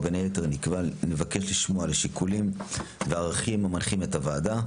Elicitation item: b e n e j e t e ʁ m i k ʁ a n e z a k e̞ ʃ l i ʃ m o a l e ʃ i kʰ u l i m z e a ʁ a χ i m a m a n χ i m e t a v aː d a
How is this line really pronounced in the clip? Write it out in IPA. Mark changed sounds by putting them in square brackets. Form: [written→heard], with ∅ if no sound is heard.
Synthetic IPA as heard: b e n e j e t e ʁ [m→n] i k [ʁ→v] a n e [z→v] a k e̞ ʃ l i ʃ m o a l e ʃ i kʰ u l i m [z→v] e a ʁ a χ i m a m a n χ i m e t a v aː d a

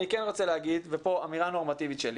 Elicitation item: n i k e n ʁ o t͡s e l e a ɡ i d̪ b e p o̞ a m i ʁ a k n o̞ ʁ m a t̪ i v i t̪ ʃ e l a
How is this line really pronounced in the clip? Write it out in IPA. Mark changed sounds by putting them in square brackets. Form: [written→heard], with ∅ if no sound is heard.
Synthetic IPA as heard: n i k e n ʁ o t͡s e l e a ɡ i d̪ [b→v] e p o̞ a m i ʁ a [k→∅] n o̞ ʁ m a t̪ i v i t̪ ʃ e l [a→i]

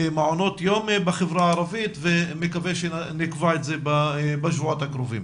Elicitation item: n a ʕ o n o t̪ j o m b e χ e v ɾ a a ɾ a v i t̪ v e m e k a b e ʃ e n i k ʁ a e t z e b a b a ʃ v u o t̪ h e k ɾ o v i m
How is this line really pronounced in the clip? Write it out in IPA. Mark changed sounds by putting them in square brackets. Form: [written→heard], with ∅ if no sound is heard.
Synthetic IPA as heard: [n→m] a ʕ o n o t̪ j o m b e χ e v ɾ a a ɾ a v i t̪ v e m e k a [b→v] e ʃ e n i k [ʁ→v] a e t z e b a b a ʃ v u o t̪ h [e→a] k ɾ o v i m

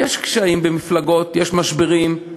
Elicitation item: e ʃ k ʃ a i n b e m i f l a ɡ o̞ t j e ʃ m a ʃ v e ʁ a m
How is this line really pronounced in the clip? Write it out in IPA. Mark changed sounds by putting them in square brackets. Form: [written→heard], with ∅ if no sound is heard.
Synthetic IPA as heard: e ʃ k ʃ a i [n→m] b e m i f l a ɡ o̞ t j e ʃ m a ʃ [v→b] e ʁ [a→i] m

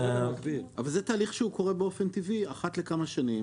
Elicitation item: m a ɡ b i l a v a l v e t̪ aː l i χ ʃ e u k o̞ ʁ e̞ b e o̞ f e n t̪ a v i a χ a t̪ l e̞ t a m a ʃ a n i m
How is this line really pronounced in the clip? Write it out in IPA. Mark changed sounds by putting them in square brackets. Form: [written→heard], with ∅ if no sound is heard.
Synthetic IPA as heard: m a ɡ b i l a v a l [v→z] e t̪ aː l i χ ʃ e u k o̞ ʁ e̞ b e o̞ f e n t̪ [a→i] v i a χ a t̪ l e̞ [t→k] a m a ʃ a n i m

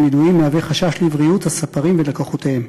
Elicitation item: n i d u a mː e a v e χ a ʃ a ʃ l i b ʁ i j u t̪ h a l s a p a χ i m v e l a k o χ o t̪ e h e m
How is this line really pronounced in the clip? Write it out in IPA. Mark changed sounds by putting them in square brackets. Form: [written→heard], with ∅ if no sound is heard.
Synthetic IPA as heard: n i d u [a→i] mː e a v e χ a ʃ a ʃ l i [b→v] ʁ i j u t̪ h a [l→∅] s a p a [χ→ʁ] i m v e l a k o χ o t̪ e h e m

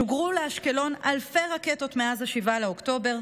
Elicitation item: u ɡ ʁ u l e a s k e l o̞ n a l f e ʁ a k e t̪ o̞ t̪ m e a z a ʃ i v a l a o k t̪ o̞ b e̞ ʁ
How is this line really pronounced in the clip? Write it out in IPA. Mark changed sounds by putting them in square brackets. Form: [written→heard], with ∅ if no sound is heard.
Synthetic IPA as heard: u ɡ ʁ u l e a [s→ʃ] k e l o̞ n a l f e ʁ a k e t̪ o̞ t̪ m e a z a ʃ i v a l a o k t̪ o̞ b e̞ ʁ

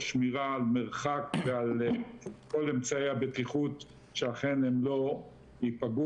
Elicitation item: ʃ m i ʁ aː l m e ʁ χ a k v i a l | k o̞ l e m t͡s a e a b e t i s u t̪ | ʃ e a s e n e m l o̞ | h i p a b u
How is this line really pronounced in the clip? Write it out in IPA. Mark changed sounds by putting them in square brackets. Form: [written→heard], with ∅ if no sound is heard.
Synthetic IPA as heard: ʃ m i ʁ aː l m e ʁ χ a k v [i→e] a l | k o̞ l e m t͡s a e a b e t i [s→χ] u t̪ | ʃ e a [s→χ] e n e m l o̞ | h i p a [b→ɡ] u

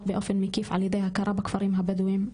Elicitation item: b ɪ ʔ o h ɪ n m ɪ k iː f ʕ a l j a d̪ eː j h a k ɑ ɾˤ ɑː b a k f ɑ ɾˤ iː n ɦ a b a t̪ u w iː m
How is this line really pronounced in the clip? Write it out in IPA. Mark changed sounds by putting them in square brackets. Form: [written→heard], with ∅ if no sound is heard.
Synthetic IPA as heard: b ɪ ʔ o [h→f] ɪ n m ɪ k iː f ʕ a l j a d̪ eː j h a k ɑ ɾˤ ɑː b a k f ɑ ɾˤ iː [n→m] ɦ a b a [t̪→d̪] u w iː m

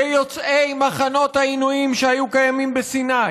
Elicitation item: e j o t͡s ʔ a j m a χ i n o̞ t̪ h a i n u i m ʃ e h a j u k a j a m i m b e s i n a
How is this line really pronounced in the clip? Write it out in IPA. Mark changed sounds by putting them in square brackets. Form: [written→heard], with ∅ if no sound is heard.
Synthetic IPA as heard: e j o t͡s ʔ [a→e] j m a χ [i→a] n o̞ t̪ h a i n u i m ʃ e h a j u k a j a m i m b e s i n a

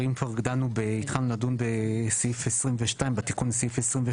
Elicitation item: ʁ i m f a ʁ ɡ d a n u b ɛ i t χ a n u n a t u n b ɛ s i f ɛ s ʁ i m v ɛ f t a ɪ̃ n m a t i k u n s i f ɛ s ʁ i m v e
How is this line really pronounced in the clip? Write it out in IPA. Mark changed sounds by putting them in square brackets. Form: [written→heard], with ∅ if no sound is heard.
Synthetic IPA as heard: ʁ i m f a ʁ ɡ d a n u b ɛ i t χ a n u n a [t→d] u n b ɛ s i f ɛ s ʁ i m v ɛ [f→ʃ] t a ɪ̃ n [m→b] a t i k u n s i f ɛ s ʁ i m v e

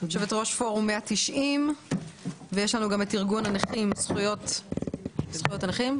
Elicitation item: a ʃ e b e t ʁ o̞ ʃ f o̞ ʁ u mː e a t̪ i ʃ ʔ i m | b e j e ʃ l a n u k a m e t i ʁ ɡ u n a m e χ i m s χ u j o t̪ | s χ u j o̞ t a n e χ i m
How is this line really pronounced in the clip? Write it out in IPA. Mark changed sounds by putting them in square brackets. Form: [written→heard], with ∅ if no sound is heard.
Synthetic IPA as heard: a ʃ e [b→v] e t ʁ o̞ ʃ f o̞ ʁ u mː e a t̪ i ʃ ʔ i m | [b→v] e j e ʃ l a n u [k→ɡ] a m e t i ʁ ɡ u n a [m→n] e χ i m s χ u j o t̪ | s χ u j o̞ t a n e χ i m

